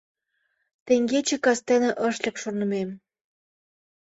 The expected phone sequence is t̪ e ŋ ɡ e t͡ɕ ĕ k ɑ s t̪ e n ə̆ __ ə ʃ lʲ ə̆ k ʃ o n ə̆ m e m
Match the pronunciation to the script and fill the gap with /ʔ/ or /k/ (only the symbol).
ʔ